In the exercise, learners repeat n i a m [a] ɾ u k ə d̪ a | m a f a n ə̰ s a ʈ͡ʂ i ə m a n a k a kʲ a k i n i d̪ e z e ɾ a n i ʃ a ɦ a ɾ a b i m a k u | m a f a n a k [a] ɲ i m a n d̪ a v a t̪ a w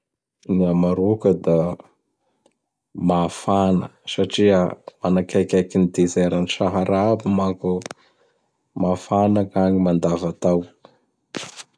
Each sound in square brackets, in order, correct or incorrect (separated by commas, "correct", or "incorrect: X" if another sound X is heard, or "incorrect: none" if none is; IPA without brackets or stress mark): correct, correct